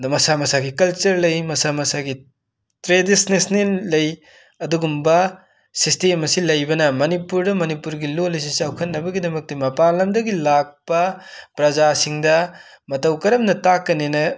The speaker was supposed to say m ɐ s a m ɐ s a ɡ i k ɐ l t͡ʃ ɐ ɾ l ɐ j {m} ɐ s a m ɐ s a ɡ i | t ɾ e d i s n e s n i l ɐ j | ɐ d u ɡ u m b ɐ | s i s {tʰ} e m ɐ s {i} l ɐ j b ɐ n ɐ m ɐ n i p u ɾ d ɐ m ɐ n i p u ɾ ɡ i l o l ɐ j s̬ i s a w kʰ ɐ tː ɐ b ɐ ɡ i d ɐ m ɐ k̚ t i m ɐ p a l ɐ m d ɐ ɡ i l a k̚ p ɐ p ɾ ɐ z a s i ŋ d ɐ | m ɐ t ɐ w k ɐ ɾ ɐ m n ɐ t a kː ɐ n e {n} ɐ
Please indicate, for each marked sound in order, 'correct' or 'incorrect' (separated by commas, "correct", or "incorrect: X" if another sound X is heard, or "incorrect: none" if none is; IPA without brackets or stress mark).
correct, incorrect: t, correct, correct